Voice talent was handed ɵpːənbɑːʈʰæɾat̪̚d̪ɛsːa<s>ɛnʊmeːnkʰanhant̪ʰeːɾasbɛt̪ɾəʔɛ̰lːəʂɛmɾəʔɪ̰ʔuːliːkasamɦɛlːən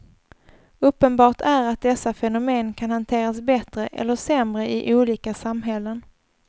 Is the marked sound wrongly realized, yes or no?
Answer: yes